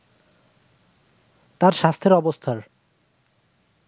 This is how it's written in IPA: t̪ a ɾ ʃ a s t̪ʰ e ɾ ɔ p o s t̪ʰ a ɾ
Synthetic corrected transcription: t̪ a ɾ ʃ a s t̪ʰ e ɾ ɔ b o s t̪ʰ a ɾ